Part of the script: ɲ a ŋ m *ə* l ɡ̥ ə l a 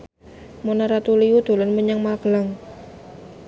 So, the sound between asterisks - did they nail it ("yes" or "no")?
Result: no